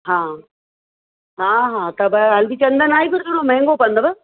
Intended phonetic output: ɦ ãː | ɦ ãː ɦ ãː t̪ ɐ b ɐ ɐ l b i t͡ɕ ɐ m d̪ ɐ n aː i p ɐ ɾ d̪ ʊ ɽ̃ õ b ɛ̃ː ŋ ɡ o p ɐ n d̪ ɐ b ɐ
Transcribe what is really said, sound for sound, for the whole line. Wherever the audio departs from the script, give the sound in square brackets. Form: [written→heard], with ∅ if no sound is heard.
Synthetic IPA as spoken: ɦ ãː | ɦ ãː ɦ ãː t̪ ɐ b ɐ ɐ l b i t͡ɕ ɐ [m→n] d̪ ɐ n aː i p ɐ ɾ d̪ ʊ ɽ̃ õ [b→m] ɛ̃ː ŋ ɡ o p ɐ n d̪ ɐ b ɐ

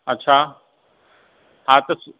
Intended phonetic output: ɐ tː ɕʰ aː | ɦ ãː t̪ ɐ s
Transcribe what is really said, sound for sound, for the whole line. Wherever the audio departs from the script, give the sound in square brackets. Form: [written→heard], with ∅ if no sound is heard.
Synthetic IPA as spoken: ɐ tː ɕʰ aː | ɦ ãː t̪ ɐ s

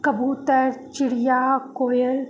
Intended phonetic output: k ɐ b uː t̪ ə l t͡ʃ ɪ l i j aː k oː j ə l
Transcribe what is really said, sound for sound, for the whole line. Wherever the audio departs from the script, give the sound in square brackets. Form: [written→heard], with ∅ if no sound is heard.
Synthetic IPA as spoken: k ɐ b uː t̪ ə [l→ɾ] t͡ʃ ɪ [l→ɽ] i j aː k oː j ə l

